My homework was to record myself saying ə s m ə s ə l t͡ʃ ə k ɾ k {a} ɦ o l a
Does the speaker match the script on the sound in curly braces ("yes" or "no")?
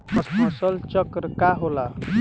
yes